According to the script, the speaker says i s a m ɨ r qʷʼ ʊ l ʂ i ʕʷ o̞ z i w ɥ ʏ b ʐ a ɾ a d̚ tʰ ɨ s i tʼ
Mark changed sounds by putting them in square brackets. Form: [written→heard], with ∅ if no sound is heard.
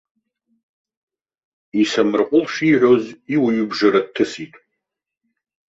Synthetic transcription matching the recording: i s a m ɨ r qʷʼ ʊ l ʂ i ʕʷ o̞ z i w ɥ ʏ b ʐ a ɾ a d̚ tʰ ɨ s i tʼ